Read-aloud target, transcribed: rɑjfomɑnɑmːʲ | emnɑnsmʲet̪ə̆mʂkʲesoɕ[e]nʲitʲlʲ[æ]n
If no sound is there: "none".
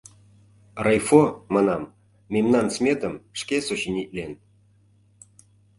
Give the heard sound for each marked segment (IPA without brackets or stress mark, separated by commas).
i, e